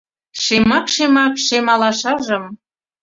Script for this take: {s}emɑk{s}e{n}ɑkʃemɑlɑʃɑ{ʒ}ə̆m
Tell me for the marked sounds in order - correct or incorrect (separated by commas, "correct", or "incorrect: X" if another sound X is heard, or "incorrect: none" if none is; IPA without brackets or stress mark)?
incorrect: ʃ, incorrect: ʃ, incorrect: m, correct